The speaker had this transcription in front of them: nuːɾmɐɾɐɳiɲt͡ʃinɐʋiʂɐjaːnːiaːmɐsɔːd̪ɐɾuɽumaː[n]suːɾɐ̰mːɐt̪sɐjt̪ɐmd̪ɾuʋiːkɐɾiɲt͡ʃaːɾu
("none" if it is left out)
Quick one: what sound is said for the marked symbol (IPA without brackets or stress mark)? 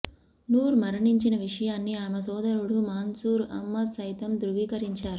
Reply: n